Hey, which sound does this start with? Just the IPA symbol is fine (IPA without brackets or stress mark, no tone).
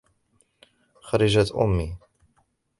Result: x